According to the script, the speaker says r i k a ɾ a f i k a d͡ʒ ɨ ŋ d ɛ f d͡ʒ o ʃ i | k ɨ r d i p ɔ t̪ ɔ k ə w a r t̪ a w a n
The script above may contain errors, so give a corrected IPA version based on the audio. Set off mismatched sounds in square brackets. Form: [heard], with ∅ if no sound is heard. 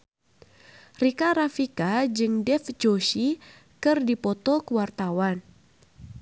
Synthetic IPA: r i k a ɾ a f i k a d͡ʒ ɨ ŋ d ɛ f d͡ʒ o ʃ i | k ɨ r d i p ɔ t̪ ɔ k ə w a r t̪ a w a n